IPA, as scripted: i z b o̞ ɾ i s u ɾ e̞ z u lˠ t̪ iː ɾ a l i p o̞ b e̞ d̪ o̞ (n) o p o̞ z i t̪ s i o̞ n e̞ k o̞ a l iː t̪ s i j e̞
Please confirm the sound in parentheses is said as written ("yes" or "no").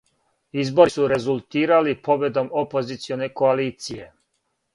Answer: no